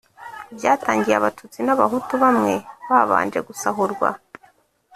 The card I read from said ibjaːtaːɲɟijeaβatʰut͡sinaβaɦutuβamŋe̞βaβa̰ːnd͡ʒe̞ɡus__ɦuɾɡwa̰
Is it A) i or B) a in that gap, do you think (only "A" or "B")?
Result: B